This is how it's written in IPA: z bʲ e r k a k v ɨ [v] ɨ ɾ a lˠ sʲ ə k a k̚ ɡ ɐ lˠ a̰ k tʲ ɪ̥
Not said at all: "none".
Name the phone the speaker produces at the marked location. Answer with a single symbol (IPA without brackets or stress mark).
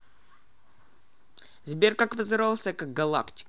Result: z